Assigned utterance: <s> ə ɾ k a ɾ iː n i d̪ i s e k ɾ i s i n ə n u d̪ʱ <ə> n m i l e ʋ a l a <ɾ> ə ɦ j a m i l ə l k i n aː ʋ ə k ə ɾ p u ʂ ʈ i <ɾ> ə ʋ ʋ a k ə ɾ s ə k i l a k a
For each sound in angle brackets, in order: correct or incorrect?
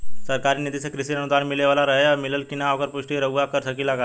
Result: correct, incorrect, correct, correct

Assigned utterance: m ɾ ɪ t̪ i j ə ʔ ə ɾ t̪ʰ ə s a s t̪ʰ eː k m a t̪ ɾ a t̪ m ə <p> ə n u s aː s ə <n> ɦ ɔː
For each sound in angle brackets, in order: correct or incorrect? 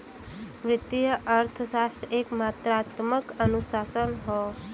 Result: incorrect, correct

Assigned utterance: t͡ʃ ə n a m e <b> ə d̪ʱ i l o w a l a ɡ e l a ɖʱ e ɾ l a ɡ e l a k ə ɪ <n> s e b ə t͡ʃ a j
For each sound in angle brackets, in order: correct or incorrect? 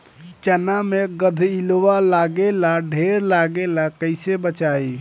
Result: incorrect, incorrect

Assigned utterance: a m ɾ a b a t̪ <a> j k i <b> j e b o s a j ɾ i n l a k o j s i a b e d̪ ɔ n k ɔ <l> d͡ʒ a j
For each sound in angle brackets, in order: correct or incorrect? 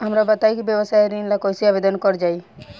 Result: correct, correct, incorrect

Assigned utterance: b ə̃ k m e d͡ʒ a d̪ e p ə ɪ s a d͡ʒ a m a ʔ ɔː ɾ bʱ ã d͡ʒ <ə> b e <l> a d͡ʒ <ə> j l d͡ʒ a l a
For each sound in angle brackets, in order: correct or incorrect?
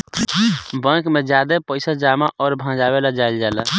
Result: incorrect, correct, incorrect

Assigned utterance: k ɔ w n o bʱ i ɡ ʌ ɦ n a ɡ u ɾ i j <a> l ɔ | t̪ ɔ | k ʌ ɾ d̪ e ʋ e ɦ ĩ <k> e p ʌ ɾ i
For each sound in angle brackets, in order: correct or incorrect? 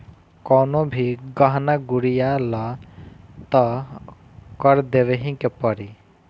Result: correct, correct

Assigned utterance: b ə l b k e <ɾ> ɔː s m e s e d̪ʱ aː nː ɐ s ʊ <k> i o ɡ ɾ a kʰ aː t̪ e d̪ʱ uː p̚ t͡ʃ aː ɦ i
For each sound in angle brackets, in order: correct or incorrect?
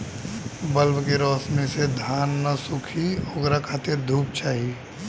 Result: correct, incorrect

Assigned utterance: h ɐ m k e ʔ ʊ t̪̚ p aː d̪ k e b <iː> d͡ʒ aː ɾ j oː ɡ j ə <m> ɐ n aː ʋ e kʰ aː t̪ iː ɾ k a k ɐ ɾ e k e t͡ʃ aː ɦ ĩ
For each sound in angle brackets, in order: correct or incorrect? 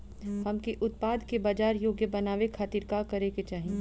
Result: incorrect, incorrect

